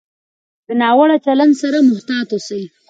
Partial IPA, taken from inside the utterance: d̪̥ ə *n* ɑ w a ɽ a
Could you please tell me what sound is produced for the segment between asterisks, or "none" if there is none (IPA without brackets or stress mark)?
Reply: n